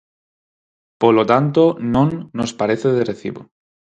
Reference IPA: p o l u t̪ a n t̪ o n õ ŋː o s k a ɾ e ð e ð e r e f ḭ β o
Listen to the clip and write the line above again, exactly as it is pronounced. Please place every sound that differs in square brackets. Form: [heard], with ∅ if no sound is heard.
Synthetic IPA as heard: p o l [o] t̪ a n t̪ o n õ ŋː o s [p] a ɾ e [θ] e ð e r e [θ] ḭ β o